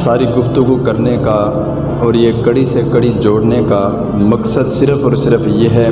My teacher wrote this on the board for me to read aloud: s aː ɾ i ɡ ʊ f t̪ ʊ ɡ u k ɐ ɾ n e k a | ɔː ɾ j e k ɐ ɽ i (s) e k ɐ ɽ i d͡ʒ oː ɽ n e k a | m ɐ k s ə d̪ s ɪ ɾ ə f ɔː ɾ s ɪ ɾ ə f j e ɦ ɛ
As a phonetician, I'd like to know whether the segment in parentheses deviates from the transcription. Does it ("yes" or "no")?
no